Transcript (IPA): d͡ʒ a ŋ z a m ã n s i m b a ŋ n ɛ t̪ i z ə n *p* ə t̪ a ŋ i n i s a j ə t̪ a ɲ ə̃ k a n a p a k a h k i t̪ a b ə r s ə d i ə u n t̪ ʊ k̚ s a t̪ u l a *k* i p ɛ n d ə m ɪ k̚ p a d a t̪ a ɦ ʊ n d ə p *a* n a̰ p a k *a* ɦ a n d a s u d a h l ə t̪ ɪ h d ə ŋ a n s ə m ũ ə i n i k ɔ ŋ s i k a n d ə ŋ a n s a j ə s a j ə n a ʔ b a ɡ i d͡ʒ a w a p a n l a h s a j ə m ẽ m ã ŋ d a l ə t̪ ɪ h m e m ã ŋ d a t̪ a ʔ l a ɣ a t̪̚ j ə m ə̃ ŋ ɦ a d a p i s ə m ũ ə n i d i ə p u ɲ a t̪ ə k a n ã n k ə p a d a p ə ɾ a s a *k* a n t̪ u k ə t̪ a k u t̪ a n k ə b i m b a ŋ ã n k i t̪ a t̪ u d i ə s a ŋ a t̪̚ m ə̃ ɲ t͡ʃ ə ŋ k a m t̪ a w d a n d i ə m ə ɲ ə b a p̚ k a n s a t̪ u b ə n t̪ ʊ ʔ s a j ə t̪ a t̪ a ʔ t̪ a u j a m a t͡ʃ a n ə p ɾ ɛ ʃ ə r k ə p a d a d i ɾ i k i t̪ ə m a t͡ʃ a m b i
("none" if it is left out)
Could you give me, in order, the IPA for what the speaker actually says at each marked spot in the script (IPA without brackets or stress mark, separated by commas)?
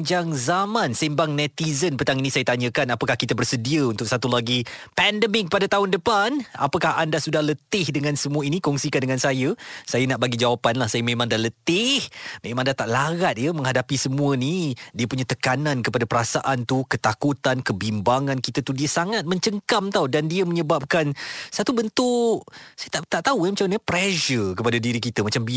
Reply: p, ɡ, a, a, ʔ